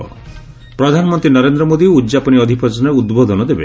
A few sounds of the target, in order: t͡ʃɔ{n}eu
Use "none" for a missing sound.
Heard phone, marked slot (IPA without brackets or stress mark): n